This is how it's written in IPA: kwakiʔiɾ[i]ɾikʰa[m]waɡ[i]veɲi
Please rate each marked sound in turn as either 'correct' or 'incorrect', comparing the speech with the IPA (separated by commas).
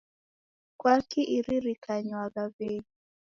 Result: correct, incorrect, incorrect